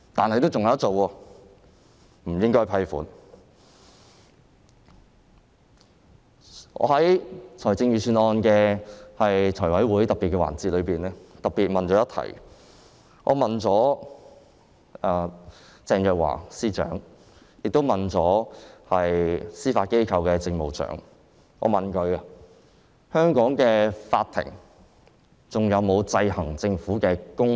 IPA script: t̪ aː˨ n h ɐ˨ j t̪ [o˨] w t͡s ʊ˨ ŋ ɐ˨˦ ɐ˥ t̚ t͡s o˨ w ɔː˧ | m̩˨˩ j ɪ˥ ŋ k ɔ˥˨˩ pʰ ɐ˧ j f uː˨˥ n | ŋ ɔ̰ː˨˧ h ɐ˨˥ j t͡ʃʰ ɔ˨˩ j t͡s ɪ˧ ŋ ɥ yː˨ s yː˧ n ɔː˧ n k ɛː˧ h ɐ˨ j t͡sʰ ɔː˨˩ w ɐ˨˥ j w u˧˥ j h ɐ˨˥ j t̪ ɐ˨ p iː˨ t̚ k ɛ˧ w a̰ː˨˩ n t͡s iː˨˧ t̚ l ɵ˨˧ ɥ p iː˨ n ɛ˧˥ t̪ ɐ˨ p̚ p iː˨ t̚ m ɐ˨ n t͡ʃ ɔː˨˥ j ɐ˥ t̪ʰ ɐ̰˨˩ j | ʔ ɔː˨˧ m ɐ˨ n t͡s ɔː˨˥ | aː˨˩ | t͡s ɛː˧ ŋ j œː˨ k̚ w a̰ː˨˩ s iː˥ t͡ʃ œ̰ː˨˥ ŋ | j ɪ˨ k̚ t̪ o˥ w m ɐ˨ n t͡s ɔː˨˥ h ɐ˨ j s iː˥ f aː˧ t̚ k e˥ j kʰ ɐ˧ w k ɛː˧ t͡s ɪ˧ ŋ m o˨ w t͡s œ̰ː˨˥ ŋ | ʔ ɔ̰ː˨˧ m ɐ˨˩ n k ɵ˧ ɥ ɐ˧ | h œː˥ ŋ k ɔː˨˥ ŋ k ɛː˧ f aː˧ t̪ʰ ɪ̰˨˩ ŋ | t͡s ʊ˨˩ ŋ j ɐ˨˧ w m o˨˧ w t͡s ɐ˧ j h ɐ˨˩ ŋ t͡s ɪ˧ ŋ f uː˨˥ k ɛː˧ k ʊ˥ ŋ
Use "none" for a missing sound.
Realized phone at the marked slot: o˥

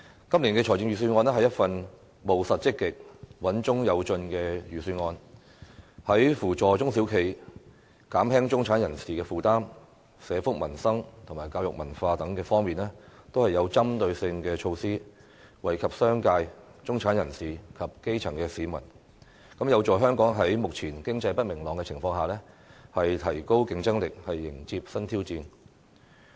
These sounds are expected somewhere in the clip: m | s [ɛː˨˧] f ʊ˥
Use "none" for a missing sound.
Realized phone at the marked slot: ɛː˨˧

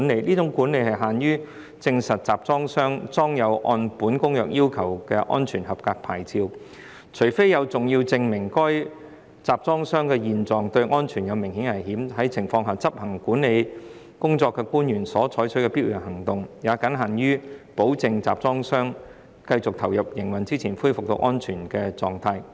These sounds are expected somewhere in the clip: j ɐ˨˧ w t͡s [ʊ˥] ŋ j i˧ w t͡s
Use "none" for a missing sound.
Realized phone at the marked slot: ʊ˨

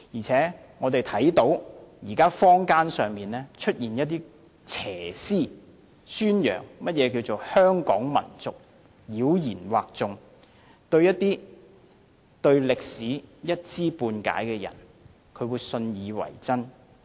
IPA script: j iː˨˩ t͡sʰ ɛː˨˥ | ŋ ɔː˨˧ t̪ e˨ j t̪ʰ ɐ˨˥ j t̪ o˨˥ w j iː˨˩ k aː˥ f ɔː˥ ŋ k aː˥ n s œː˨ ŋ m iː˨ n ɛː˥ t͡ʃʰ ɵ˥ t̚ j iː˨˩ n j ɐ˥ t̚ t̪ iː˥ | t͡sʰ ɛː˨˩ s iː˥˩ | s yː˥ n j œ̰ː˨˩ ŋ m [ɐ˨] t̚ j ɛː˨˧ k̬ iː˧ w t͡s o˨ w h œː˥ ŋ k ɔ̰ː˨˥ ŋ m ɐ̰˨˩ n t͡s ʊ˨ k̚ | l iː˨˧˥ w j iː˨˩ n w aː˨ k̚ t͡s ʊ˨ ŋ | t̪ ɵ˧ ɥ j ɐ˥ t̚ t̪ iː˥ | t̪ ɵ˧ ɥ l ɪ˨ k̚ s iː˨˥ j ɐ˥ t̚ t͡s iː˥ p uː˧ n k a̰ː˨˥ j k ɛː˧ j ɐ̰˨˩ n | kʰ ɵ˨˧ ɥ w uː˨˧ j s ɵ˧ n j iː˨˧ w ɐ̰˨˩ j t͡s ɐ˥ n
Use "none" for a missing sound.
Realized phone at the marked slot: ɐ˥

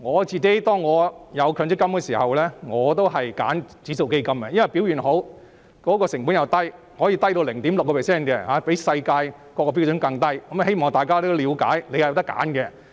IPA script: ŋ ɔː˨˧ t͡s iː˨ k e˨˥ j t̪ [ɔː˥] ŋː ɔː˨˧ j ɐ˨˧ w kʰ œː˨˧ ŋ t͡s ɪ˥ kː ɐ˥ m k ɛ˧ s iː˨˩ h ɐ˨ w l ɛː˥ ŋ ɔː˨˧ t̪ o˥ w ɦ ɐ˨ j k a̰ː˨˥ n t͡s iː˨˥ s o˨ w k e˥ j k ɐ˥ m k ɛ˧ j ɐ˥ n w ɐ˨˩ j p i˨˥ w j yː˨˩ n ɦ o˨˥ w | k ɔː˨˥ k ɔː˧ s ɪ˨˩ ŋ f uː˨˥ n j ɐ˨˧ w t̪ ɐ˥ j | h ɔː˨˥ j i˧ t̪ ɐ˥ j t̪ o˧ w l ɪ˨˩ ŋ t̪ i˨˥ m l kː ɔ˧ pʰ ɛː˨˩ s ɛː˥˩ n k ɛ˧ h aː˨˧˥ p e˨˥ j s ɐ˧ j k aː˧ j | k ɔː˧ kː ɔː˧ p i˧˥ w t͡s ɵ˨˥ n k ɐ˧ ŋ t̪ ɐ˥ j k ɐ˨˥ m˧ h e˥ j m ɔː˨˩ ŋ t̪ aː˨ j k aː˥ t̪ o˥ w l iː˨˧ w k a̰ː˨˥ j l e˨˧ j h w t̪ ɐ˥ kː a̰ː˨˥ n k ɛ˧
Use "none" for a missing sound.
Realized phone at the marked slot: ɔː˥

